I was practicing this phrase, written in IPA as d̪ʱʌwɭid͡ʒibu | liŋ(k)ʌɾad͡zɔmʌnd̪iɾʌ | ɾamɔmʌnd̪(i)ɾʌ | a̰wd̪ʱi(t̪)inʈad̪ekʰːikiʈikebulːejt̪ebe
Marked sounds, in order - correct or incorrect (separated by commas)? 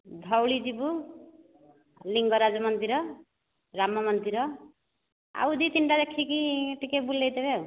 incorrect, correct, correct